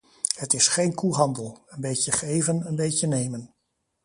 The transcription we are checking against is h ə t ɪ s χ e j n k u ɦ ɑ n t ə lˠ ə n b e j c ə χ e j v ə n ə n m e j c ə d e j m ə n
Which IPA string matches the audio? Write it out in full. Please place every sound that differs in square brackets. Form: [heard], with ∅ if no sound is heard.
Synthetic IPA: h ə t ɪ s χ e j n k u ɦ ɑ n [d] ə lˠ ə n b e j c ə χ e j v ə n ə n [b] e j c ə [n] e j m ə n